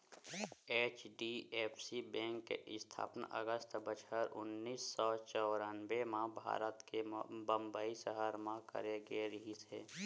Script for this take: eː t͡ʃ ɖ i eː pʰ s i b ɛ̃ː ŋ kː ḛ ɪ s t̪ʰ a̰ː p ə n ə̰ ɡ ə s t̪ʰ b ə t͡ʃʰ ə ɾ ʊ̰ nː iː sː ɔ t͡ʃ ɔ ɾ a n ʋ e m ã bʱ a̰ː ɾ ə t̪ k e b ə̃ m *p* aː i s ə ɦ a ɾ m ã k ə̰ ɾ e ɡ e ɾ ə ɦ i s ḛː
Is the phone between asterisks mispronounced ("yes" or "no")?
yes